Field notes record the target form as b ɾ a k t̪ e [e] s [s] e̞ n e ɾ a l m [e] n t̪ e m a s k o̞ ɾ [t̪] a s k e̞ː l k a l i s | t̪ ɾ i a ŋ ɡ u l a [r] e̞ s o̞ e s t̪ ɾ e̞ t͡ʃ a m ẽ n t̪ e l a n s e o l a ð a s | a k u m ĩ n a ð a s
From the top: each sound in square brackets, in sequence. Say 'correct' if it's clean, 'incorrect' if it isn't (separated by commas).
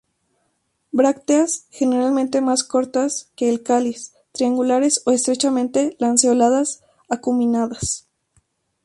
incorrect, incorrect, incorrect, correct, incorrect